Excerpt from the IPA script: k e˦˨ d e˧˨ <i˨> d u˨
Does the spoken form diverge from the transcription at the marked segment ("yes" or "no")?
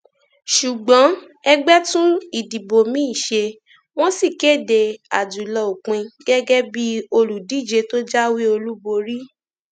yes